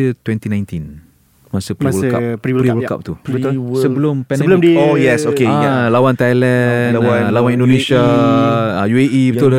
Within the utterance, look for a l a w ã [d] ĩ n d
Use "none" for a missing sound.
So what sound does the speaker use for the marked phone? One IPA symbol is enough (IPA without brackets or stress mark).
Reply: n